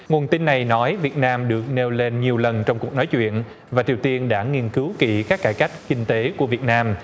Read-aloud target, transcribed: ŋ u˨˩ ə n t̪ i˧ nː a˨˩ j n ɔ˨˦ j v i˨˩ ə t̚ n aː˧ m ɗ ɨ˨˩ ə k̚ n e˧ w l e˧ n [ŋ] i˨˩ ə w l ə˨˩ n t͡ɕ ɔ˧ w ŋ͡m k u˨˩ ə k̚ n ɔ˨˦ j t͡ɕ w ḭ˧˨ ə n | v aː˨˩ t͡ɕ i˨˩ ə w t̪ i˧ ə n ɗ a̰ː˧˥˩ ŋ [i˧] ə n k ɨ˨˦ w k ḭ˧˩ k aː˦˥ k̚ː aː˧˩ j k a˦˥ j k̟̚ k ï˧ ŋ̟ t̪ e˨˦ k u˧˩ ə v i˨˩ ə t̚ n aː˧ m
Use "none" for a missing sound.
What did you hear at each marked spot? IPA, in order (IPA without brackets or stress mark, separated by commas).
ɲ, i˧